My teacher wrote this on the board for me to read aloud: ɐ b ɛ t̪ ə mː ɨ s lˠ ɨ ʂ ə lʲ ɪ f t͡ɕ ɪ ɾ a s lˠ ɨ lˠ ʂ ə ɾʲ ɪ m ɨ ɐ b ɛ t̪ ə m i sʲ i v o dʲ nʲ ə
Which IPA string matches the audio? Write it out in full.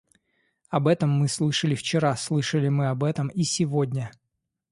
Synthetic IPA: ɐ b ɛ t̪ ə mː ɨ s lˠ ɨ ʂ ə lʲ ɪ f t͡ɕ ɪ ɾ a s lˠ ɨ ʂ ə lʲ ɪ m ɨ ɐ b ɛ t̪ ə m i sʲ ɪ v o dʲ nʲ ə